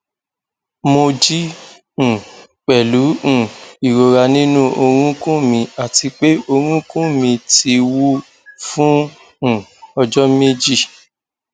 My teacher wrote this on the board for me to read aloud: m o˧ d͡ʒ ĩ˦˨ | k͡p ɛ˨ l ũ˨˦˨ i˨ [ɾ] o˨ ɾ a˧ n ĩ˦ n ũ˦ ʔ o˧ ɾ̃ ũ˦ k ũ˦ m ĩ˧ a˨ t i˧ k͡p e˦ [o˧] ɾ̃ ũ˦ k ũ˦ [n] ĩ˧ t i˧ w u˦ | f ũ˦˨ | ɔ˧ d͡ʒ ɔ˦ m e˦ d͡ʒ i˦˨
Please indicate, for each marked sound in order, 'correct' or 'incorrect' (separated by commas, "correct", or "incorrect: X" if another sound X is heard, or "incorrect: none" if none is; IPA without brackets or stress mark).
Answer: correct, correct, incorrect: m